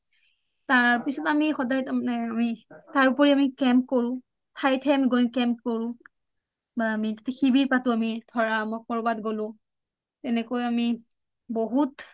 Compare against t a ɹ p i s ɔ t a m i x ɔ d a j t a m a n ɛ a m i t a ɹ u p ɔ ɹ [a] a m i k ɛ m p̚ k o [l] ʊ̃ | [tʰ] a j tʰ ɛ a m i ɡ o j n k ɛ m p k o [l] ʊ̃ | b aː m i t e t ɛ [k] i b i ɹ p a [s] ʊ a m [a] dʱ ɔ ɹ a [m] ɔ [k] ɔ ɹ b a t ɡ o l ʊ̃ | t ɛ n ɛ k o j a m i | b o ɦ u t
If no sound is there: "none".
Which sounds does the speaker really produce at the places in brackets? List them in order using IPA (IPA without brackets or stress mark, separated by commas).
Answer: i, ɹ, tʰ, ɹ, x, t, i, m, k